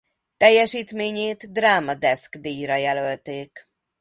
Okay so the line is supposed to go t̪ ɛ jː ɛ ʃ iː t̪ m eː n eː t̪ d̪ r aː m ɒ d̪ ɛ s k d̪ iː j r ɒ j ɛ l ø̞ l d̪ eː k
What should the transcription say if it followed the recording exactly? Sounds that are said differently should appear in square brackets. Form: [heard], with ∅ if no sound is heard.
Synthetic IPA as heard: t̪ ɛ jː ɛ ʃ iː t̪ m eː [ɲ] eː t̪ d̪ r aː m ɒ d̪ ɛ s k d̪ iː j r ɒ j ɛ l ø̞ l [t̪] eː k